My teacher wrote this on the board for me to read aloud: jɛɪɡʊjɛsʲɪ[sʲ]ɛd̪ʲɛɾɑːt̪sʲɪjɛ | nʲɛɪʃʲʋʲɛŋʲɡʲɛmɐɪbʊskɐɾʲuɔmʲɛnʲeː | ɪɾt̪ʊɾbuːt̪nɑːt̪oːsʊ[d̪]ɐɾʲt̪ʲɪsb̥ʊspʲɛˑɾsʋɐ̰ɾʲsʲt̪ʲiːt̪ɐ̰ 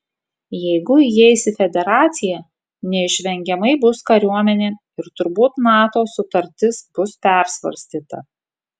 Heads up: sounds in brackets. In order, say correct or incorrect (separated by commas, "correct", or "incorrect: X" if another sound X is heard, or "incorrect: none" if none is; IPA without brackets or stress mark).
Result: incorrect: fʲ, incorrect: t̪